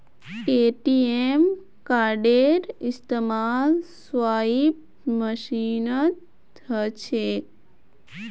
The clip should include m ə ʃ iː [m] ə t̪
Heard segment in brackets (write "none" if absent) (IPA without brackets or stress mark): n